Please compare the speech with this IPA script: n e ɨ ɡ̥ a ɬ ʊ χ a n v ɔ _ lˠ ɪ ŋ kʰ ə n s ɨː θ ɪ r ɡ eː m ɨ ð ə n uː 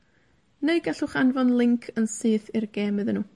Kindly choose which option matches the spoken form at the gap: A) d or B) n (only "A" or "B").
B